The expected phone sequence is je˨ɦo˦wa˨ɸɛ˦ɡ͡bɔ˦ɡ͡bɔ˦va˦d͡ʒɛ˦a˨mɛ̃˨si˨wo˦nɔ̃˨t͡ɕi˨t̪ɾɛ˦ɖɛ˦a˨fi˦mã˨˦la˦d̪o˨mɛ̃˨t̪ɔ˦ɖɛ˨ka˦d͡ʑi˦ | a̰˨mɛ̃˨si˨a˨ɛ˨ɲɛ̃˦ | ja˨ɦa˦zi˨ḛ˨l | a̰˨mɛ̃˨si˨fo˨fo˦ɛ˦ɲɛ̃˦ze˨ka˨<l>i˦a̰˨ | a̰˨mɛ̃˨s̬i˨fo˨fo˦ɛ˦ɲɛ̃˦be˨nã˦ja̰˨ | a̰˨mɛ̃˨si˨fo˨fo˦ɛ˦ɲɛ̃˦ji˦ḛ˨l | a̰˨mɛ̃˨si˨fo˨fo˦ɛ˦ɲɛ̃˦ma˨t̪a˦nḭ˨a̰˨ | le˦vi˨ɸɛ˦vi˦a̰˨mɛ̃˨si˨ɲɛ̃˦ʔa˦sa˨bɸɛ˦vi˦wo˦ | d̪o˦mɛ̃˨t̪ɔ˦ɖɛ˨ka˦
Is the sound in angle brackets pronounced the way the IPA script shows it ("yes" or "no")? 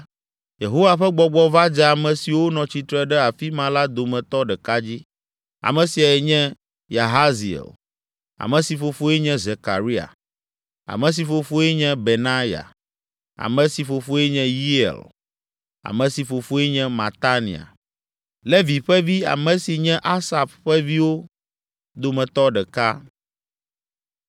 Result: no